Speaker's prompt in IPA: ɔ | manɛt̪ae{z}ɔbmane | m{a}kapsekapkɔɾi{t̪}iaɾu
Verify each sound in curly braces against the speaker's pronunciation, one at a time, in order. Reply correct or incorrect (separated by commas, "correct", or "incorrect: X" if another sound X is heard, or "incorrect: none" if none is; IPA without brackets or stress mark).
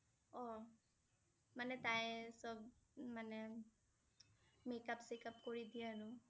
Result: incorrect: s, incorrect: e, incorrect: d̪